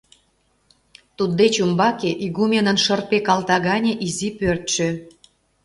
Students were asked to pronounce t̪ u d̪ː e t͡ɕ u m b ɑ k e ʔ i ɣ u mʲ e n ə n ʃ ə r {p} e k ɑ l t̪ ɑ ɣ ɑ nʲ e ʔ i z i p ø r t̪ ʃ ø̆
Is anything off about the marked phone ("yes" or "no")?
no